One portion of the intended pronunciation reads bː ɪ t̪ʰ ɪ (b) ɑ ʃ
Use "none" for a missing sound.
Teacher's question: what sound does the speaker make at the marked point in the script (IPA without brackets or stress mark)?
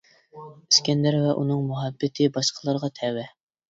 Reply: b